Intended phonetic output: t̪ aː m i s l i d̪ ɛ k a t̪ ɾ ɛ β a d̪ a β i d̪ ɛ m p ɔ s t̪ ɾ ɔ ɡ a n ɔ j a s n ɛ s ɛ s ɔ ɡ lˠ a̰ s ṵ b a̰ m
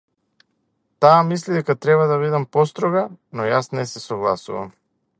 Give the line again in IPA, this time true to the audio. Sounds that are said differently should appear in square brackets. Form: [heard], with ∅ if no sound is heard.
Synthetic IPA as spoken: t̪ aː m i s l i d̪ ɛ k a t̪ ɾ ɛ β a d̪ a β i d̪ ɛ m p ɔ s t̪ ɾ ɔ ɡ a n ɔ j a s n ɛ s ɛ s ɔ ɡ lˠ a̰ s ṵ [v] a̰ m